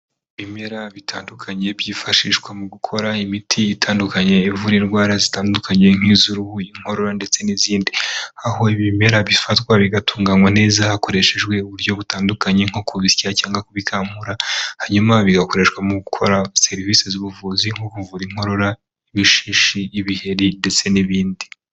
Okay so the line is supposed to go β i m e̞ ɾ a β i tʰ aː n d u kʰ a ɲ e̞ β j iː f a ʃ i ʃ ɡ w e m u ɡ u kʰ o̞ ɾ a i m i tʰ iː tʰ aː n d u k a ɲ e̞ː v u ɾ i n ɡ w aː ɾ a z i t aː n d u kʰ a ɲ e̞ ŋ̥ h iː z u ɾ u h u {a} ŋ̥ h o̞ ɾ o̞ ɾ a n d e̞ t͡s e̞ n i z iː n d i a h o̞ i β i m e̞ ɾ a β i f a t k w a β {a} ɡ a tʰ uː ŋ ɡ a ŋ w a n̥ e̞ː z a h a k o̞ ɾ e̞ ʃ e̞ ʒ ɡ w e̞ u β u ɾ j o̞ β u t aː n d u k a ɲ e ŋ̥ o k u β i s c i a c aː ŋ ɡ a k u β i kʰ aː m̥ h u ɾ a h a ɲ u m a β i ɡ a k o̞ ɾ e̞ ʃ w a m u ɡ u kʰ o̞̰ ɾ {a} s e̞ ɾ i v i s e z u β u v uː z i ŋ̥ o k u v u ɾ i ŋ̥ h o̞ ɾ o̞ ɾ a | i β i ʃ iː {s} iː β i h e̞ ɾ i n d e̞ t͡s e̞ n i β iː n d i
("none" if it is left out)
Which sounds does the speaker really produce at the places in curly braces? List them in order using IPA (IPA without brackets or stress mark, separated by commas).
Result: i, i, a, ʃ